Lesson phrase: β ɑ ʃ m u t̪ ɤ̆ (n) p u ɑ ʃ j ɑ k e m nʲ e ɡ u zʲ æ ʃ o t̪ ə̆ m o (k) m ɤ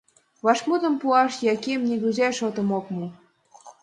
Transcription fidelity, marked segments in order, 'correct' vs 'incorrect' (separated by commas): incorrect, correct